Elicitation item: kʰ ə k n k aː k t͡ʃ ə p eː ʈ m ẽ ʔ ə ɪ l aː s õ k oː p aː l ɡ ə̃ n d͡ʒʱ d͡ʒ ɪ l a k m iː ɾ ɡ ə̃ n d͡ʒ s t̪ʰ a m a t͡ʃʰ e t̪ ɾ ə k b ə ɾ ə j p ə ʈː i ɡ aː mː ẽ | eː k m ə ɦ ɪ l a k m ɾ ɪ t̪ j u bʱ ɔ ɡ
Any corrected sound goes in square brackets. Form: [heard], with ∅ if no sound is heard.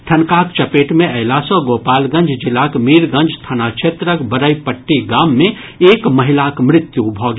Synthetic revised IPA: [ʈʰ] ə [∅] n k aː k t͡ʃ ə p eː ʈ m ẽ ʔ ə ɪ l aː s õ [ɡ] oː p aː l ɡ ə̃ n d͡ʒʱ d͡ʒ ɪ l a k m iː ɾ ɡ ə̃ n d͡ʒ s t̪ʰ a [n] a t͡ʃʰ e t̪ ɾ ə k b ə ɾ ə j p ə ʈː i ɡ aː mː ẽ | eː k m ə ɦ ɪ l a k m ɾ ɪ t̪ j u bʱ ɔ ɡ